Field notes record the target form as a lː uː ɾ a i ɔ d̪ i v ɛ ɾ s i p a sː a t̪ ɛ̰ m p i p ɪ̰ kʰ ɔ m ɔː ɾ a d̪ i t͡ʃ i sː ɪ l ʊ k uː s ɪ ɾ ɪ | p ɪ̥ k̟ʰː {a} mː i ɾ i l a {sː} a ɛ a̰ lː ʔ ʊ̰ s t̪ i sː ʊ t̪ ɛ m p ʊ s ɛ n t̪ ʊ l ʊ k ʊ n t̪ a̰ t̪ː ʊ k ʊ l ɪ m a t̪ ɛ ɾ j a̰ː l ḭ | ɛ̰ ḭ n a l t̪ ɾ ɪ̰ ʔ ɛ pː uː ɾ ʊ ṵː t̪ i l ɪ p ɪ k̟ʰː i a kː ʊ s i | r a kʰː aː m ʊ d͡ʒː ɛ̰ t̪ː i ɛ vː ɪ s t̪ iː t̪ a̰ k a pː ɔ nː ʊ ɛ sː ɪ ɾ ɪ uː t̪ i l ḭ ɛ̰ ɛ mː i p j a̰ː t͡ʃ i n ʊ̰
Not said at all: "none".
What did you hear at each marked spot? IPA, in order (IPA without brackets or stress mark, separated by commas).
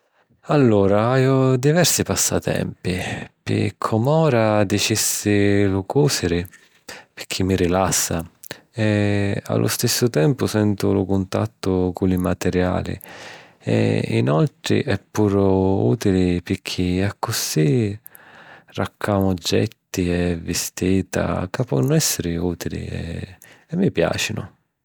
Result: i, sː